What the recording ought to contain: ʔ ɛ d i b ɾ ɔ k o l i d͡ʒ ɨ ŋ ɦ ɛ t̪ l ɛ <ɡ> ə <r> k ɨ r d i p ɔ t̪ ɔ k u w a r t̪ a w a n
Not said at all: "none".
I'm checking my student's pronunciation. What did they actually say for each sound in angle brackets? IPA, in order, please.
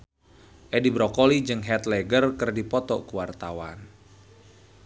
ɡ, r

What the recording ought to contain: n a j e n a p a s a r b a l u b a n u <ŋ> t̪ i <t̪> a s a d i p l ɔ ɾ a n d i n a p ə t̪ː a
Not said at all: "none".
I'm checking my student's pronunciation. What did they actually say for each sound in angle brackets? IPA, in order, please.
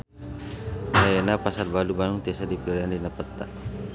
ŋ, none

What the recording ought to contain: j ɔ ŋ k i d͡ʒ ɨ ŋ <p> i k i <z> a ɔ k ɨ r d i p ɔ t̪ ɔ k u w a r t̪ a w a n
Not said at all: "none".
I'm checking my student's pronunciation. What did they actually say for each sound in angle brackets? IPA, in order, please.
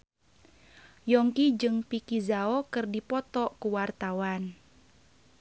p, z

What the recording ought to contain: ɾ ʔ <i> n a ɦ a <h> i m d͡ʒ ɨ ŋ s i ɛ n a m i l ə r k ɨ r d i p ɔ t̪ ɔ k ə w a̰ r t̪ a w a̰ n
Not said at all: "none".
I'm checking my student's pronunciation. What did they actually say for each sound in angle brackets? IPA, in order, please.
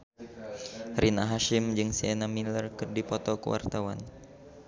i, ʃ

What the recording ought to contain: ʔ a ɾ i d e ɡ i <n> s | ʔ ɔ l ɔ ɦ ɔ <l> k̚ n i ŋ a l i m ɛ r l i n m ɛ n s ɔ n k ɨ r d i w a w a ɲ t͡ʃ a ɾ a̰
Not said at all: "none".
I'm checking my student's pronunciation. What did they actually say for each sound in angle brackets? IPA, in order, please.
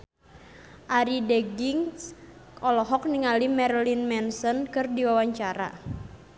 ŋ, none

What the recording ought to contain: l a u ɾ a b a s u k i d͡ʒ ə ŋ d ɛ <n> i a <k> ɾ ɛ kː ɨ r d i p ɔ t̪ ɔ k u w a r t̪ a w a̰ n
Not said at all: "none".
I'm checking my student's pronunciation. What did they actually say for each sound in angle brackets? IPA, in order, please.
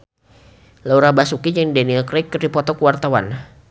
n, k

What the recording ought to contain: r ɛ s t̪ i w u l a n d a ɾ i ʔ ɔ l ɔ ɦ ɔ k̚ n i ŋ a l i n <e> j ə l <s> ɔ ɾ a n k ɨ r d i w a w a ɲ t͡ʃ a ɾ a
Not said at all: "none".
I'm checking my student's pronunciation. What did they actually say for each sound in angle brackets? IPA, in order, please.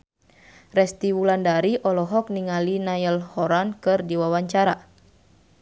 a, h

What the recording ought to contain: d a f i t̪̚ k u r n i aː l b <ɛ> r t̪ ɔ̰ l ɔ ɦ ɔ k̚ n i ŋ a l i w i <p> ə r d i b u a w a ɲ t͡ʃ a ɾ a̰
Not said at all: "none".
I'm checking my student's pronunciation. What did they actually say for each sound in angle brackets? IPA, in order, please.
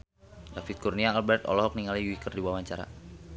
ɛ, k

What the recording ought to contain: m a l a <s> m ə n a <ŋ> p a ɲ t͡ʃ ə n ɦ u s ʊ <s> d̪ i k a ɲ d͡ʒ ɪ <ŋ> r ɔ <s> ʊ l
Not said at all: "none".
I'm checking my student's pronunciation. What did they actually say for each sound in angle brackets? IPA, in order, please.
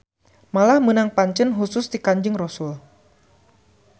h, ŋ, s, ŋ, s

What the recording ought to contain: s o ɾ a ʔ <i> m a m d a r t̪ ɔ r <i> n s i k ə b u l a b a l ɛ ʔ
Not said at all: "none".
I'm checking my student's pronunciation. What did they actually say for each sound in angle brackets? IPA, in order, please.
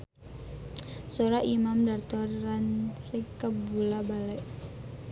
i, a

